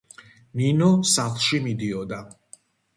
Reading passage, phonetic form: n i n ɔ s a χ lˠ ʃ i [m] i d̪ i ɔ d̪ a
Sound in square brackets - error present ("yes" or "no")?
no